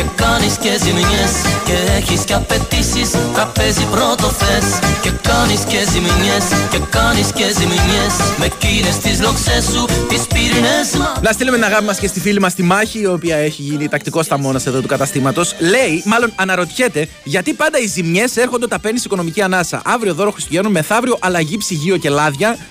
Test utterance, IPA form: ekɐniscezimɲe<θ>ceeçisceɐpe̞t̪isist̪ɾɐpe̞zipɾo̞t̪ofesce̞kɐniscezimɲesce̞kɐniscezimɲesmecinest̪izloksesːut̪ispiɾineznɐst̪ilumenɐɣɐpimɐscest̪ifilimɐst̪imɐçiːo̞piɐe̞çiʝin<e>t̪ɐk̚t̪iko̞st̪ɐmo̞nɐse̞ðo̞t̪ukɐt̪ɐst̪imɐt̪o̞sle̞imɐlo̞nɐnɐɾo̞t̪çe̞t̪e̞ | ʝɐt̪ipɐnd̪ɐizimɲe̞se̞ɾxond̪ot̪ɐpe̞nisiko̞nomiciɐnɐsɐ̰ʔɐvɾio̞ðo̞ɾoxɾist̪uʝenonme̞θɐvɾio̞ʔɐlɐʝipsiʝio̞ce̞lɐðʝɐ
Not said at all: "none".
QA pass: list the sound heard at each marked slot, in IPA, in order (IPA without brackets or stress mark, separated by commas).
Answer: s, i